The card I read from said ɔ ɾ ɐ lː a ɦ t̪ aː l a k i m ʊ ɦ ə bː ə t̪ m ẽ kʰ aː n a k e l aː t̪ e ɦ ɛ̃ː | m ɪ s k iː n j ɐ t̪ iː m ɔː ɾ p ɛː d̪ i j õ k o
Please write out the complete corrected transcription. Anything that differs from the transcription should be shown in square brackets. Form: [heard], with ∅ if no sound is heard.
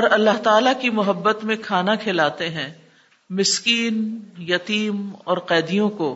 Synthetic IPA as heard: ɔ ɾ ɐ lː a ɦ t̪ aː l a k i m ʊ ɦ ə bː ə t̪ m ẽ kʰ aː n a [kʰ] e l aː t̪ e ɦ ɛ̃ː | m ɪ s k iː n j ɐ t̪ iː m ɔː ɾ [q] ɛː d̪ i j õ k o